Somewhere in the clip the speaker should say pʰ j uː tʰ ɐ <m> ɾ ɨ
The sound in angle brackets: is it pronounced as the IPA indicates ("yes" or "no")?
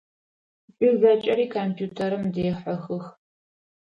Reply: no